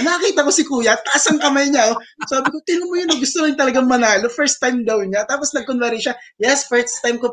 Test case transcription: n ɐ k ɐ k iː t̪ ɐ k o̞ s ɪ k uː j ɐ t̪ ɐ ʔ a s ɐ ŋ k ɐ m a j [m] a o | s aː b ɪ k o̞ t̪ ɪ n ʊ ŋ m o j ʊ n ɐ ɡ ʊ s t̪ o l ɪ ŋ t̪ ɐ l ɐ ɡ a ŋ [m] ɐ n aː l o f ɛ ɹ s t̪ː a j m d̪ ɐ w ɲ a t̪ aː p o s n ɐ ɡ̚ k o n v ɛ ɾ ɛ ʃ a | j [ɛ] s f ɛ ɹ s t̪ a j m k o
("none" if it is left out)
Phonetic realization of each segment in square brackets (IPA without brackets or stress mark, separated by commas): ɲ, m, ɛ